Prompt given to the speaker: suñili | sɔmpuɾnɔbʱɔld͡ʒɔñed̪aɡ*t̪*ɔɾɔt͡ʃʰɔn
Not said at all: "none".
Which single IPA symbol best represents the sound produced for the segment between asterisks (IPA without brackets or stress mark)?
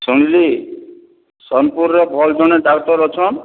t̪